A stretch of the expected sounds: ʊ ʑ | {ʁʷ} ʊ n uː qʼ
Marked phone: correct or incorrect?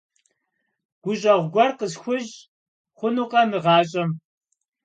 incorrect